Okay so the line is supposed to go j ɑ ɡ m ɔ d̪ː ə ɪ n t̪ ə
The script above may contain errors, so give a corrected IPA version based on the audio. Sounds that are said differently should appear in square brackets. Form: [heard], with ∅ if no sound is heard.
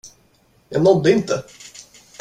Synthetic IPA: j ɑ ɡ [n] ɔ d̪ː ə ɪ n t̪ ə